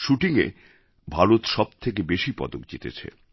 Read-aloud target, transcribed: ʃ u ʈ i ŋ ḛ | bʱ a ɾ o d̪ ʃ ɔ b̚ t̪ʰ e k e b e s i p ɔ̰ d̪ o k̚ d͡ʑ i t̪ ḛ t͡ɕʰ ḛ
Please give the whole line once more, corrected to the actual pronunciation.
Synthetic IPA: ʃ u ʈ i ŋ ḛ | bʱ a ɾ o t̪ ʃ ɔ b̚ t̪ʰ e k e b e ʃ i p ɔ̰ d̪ o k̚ d͡ʑ i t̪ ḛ t͡ɕʰ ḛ